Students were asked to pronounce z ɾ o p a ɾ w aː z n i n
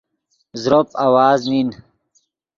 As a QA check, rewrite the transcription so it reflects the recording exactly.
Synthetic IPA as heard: z ɾ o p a w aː z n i n